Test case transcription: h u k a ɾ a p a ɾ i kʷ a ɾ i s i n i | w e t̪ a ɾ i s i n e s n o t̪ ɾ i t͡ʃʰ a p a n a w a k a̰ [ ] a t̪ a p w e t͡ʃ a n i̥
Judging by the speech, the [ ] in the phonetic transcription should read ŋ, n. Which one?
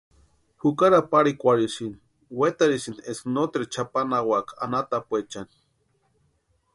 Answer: n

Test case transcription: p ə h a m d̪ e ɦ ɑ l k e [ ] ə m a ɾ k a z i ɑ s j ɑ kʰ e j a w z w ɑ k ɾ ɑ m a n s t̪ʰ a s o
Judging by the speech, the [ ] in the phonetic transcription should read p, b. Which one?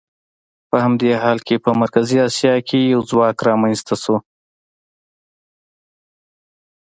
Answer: p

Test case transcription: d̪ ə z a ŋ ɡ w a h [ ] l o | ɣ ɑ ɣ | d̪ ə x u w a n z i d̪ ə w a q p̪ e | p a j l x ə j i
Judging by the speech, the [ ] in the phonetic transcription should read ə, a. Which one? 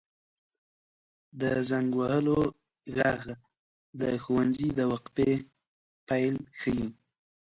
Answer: ə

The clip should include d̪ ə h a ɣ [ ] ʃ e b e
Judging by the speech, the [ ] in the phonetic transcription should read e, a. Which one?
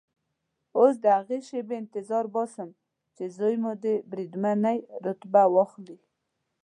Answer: e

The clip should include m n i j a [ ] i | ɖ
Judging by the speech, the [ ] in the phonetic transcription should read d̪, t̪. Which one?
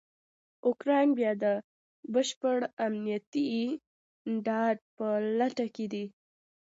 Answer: t̪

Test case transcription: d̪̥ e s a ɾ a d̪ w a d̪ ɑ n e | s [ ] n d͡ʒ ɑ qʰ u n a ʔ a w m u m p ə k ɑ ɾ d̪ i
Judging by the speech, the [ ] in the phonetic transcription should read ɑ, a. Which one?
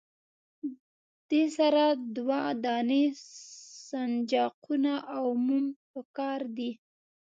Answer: a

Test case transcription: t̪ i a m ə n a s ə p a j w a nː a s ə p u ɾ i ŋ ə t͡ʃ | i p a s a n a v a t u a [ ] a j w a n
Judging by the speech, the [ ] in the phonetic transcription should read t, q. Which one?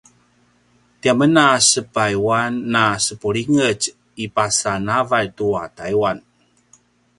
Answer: t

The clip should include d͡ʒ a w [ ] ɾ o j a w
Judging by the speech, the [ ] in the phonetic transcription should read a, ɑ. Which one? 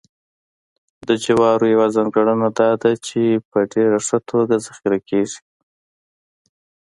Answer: ɑ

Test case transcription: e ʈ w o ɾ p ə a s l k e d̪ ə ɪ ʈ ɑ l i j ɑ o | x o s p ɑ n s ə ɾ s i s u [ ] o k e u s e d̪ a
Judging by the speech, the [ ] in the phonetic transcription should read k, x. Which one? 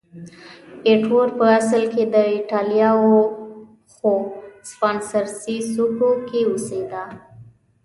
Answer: k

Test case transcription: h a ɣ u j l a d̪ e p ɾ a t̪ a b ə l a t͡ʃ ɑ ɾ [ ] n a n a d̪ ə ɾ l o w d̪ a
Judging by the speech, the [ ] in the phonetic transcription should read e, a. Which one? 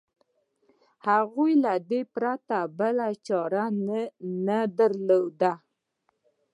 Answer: a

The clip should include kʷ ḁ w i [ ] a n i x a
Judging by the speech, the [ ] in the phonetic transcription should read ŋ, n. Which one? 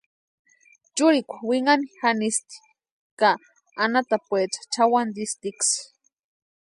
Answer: ŋ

